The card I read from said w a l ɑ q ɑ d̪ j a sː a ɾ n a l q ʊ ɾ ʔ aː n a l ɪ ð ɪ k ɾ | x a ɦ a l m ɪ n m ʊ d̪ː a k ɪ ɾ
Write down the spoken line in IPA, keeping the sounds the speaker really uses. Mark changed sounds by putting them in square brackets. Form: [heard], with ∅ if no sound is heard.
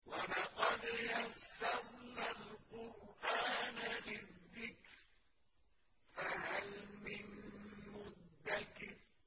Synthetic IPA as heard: w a l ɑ q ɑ d̪ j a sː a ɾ n a l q ʊ ɾ ʔ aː n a l ɪ [ðː] ɪ k ɾ | [f] a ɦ a l m ɪ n m ʊ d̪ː a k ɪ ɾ

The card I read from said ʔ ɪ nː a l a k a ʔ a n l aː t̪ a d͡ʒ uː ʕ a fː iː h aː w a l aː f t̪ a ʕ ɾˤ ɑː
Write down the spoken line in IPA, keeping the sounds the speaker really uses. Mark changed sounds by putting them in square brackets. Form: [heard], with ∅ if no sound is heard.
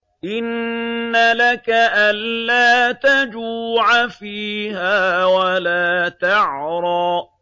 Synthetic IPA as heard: ʔ ɪ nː a l a k a ʔ a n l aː t̪ a d͡ʒ uː ʕ a [f] iː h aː w a l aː [∅] t̪ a ʕ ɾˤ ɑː

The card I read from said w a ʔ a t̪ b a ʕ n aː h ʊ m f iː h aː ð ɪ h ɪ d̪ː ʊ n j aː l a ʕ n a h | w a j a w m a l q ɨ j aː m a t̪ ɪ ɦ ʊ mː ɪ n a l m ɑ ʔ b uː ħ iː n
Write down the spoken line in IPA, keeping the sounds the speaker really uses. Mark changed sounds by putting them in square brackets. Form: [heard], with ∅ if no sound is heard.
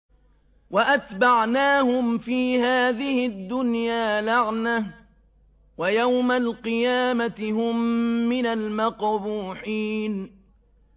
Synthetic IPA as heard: w a ʔ a t̪ b a ʕ n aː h ʊ m f iː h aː ð ɪ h ɪ d̪ː ʊ n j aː l a ʕ n a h | w a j a w m a l q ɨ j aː m a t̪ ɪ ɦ ʊ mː ɪ n a l m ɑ [q] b uː ħ iː n

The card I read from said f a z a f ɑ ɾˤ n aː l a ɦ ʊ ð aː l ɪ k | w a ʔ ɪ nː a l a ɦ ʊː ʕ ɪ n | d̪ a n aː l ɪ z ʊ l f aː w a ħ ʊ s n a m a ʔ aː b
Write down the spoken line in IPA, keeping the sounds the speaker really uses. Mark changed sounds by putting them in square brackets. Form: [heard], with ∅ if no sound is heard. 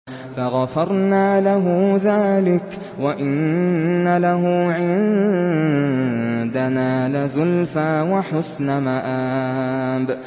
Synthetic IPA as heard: f a [ɣ] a f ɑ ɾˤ n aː l a ɦ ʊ ð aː l ɪ k | w a ʔ ɪ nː a l a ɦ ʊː ʕ ɪ n | d̪ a n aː l ɪ z ʊ l f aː w a ħ ʊ s n a m a ʔ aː b

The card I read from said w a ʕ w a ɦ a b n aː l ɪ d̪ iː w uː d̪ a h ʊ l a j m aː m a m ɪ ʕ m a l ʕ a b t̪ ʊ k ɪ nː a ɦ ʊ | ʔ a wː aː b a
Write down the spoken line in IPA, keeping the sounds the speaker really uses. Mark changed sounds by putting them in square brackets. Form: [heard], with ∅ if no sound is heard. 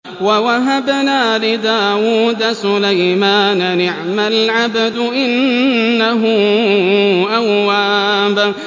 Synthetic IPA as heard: w a [∅] w a ɦ a b n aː l ɪ d̪ [aː] w uː d̪ a [s] ʊ l a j m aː [n] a [n] ɪ ʕ m a l ʕ a b [d̪] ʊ [ʔ] ɪ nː a ɦ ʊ | ʔ a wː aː b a

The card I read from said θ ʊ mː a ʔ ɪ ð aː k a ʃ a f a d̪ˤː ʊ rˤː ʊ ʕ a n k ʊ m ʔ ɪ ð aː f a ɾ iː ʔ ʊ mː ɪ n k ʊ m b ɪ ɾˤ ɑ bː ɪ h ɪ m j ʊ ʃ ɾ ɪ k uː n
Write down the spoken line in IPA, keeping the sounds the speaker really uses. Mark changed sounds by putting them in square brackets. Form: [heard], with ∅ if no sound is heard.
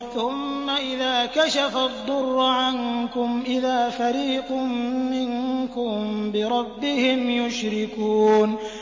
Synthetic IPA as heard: θ ʊ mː a ʔ ɪ ð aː k a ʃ a f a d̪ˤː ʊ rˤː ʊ ʕ a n k ʊ m ʔ ɪ ð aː f a ɾ iː [q] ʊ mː ɪ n k ʊ m b ɪ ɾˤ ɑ bː ɪ h ɪ m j ʊ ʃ ɾ ɪ k uː n

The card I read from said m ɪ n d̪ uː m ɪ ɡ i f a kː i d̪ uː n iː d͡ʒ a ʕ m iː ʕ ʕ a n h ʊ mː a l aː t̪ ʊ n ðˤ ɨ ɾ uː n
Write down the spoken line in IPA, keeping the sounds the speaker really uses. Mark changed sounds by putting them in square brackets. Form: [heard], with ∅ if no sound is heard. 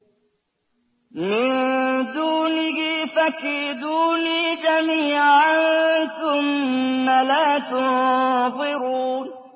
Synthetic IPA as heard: m ɪ n d̪ uː [n] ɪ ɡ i f a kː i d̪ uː n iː d͡ʒ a [∅] m iː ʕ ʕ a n [θ] ʊ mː a l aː t̪ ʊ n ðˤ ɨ ɾ uː n

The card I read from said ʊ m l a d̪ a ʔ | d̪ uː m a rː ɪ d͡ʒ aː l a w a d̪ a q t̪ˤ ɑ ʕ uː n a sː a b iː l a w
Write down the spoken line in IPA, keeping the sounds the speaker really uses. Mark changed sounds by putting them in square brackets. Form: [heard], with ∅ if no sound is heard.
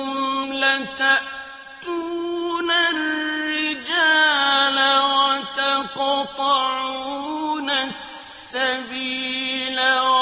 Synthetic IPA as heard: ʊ m l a [t̪] a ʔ | [t̪] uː [n] a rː ɪ d͡ʒ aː l a w a [t̪] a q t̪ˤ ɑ ʕ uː n a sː a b iː l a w

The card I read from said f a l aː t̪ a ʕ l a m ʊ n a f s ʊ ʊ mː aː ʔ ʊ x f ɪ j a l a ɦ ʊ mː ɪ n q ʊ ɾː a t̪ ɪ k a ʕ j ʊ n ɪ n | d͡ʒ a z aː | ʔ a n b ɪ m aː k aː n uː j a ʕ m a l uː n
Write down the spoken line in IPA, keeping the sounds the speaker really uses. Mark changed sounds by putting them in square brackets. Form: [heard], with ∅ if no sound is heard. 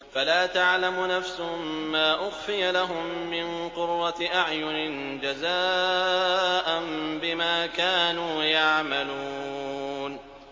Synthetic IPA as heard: f a l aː t̪ a ʕ l a m ʊ n a f s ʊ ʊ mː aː ʔ ʊ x f ɪ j a l a ɦ ʊ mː ɪ n q ʊ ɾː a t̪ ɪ [ʔ] a ʕ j ʊ n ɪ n | d͡ʒ a z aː | ʔ a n b ɪ m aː k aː n uː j a ʕ m a l uː n

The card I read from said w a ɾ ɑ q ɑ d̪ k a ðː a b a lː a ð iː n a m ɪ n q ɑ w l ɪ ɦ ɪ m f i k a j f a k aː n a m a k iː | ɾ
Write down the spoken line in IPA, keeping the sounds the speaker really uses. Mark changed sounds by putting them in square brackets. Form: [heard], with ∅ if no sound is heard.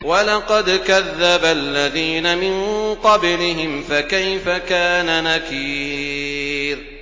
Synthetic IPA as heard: w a [l] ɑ q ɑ d̪ k a ðː a b a lː a ð iː n a m ɪ n q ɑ [b] l ɪ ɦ ɪ m f [a] k a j f a k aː n a [n] a k iː | ɾ

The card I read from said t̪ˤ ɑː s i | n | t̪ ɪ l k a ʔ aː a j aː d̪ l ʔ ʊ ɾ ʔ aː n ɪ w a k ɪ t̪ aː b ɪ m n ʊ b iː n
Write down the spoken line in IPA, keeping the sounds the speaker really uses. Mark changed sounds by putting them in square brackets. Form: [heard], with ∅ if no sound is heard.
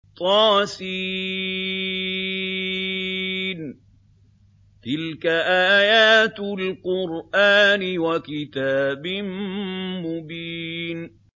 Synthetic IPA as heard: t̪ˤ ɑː s i | n | t̪ ɪ l k a ʔ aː a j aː [t̪] l [q] ʊ ɾ ʔ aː n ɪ w a k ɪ t̪ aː b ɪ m [m] ʊ b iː n

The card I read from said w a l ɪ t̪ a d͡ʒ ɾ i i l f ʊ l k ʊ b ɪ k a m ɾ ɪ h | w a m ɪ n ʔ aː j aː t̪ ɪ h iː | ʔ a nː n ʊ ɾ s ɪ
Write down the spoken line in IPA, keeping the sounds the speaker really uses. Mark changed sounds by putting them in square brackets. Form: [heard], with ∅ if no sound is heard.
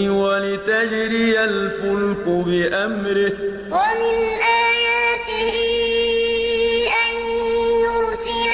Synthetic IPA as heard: w a l ɪ t̪ a d͡ʒ ɾ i [a] l f ʊ l k ʊ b ɪ [ʔ] a m ɾ ɪ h | w a m ɪ n ʔ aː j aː t̪ ɪ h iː | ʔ a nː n ʊ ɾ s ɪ

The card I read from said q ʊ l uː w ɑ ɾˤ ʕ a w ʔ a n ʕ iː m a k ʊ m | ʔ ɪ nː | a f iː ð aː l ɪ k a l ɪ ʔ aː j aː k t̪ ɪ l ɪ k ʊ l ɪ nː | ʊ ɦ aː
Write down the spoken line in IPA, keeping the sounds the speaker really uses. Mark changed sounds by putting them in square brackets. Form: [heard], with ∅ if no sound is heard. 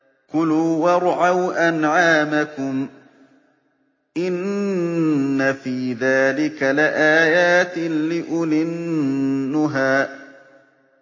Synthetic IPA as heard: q ʊ l uː w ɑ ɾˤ ʕ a w ʔ a n ʕ [aː] m a k ʊ m | ʔ ɪ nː | a f iː ð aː l ɪ k a l ɪ ʔ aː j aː [∅] t̪ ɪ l ɪ [ʔ] ʊ l ɪ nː | ʊ ɦ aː

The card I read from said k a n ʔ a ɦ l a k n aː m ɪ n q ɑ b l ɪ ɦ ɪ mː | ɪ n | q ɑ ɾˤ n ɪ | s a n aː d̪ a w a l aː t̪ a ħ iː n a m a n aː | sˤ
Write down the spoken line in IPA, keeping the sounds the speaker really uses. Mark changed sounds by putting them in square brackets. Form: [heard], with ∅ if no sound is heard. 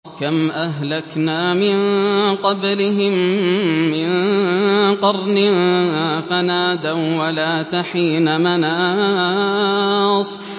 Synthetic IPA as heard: k a [m] ʔ a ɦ l a k n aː m ɪ n q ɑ b l ɪ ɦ ɪ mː | ɪ n | q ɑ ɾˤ n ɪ | [f] a n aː d̪ a w a l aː t̪ a ħ iː n a m a n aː | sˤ

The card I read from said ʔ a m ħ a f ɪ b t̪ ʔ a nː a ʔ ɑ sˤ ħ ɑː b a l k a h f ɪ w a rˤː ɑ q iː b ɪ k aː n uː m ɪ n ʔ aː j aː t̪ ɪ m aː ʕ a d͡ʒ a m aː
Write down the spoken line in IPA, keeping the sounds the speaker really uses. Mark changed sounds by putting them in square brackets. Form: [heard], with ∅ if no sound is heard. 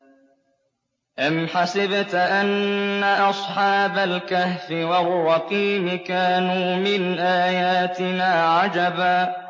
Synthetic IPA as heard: ʔ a m ħ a [s] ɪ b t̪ ʔ a nː a ʔ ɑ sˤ ħ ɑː b a l k a h f ɪ w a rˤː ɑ q iː [m] ɪ k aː n uː m ɪ n ʔ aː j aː t̪ ɪ [n] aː ʕ a d͡ʒ a [b] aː

